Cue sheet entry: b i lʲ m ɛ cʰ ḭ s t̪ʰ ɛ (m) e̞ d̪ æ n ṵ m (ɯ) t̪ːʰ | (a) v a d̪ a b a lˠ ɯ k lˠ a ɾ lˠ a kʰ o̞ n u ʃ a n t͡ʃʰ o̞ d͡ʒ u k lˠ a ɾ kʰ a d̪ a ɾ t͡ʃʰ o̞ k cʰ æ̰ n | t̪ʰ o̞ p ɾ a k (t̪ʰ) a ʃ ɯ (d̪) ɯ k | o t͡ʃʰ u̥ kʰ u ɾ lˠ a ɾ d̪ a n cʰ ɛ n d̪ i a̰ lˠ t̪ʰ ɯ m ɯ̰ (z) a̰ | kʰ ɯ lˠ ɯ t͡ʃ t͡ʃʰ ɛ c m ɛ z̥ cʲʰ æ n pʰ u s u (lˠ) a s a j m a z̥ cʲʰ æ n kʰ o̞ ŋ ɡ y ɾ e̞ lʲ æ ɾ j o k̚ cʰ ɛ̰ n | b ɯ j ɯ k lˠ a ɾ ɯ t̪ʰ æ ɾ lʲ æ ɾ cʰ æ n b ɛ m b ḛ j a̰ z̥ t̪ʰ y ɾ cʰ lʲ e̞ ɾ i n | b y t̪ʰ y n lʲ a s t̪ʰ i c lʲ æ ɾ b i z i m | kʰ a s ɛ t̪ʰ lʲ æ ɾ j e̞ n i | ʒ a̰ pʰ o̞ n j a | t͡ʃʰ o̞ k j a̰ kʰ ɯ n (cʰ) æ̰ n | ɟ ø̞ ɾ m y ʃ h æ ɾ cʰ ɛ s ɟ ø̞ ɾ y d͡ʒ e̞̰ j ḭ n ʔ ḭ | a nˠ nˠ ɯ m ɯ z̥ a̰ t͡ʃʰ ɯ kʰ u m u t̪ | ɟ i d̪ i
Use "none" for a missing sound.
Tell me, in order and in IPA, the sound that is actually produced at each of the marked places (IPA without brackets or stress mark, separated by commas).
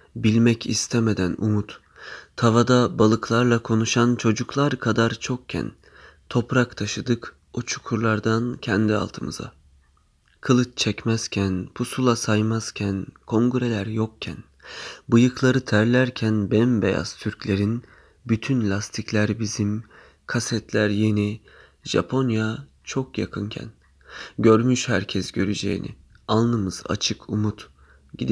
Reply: m, u, a, t̪ʰ, d̪, z, lˠ, cʰ